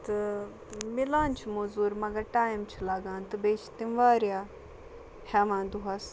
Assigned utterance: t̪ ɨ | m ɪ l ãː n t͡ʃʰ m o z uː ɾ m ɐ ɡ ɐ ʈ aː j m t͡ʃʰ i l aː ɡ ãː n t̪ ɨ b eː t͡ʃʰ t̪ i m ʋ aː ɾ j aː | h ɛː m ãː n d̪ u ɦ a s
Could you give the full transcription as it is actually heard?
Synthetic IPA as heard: t̪ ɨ | m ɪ l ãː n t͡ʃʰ m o z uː ɾ m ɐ ɡ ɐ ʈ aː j m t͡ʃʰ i l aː ɡ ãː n t̪ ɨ b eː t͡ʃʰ t̪ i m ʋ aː ɾ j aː | h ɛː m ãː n d̪ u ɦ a s